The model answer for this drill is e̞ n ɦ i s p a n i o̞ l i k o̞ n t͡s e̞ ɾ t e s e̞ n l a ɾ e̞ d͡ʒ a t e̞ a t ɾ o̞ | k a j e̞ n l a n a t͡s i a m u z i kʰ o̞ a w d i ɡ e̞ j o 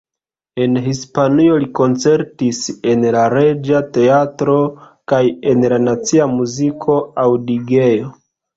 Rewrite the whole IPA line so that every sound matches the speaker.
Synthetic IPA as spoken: e̞ n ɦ i s p a n i o̞ l i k o̞ n t͡s e̞ ɾ t i s e̞ n l a ɾ e̞ d͡ʒ a t e̞ a t ɾ o̞ | k a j e̞ n l a n a t͡s i a m u z i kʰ o̞ a w d i ɡ e̞ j o